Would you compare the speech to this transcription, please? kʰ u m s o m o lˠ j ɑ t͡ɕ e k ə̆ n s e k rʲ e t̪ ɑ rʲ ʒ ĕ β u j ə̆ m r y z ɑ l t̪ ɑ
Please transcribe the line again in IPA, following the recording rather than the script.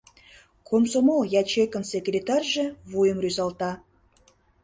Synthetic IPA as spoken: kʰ o m s o m o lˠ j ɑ t͡ɕ e k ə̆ n s e k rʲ e t̪ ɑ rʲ ʒ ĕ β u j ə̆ m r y z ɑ l t̪ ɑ